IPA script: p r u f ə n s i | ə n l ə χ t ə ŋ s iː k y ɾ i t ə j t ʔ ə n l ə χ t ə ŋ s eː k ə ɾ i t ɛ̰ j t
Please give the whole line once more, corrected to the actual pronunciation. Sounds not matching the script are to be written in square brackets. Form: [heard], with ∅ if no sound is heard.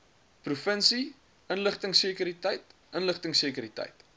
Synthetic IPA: p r u f ə n s i | ə n l ə χ t ə ŋ s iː k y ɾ i t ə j t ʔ ə n l ə χ t ə ŋ s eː k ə ɾ i t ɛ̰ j t